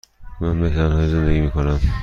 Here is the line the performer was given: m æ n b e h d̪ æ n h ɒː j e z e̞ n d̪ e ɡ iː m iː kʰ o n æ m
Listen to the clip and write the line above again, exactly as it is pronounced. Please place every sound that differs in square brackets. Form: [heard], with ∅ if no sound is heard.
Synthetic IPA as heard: m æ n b e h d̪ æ n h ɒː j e z e̞ n d̪ e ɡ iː m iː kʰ o n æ m